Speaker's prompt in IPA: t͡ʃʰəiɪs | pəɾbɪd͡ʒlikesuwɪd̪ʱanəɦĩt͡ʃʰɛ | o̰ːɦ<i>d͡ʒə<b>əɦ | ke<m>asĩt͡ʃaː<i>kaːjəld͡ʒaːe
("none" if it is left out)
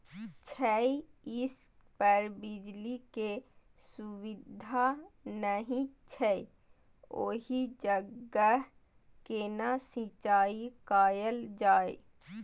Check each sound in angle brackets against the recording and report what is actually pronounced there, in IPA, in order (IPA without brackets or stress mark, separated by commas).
i, ɡ, n, i